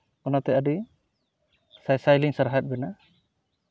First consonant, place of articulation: alveolar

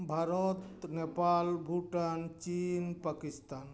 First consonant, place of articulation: labial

